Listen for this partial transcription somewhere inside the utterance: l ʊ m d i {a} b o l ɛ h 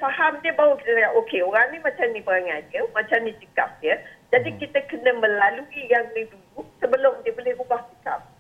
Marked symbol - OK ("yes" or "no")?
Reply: no